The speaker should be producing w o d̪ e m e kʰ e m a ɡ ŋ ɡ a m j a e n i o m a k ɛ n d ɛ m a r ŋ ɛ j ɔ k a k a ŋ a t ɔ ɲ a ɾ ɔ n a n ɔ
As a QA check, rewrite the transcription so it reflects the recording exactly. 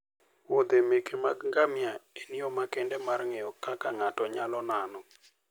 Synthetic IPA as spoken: w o d̪ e m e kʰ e m a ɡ ŋ ɡ a m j a e n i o m a k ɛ n d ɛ m a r ŋ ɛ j ɔ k a k a ŋ a t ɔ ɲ a l ɔ n a n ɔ